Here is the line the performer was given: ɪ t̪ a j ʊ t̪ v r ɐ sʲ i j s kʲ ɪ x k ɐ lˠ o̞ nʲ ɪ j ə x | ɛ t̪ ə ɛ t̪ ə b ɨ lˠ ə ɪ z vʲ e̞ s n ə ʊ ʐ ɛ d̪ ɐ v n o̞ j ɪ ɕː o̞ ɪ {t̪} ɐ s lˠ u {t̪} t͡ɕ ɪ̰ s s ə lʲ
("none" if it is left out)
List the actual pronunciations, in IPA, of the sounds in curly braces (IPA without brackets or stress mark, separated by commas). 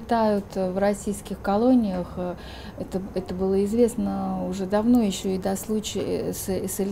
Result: d̪, none